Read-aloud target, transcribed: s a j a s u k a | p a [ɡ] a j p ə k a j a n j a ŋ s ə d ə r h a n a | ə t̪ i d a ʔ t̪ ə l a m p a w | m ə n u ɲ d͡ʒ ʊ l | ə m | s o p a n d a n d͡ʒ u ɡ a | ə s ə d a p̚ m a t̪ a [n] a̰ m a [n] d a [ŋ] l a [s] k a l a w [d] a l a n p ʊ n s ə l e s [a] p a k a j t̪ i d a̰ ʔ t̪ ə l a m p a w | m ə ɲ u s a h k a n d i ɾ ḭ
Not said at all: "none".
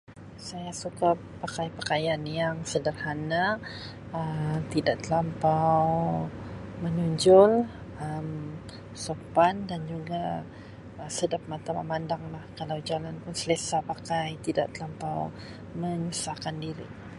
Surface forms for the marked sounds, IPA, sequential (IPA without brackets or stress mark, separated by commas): k, m, n, ŋ, h, d͡ʒ, a